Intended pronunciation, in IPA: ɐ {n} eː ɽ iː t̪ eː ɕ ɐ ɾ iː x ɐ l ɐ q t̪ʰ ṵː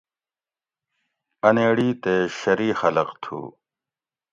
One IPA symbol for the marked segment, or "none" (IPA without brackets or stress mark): n